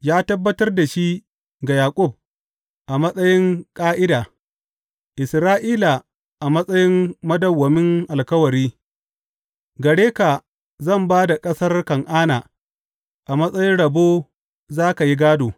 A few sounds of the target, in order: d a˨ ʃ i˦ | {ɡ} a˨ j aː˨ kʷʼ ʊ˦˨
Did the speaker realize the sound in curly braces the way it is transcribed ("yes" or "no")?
yes